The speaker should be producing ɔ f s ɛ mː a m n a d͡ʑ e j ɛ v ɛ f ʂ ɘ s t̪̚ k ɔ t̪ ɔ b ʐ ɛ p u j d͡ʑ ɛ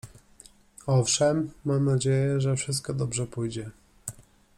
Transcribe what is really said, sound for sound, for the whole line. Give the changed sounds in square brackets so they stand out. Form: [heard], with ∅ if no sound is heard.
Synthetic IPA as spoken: ɔ f [ʂ] ɛ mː a m n a d͡ʑ e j ɛ [ʐ] ɛ f ʂ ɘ s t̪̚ k ɔ [d̪] ɔ b ʐ ɛ p u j d͡ʑ ɛ